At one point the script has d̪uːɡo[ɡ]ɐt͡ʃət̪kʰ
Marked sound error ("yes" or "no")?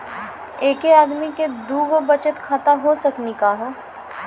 yes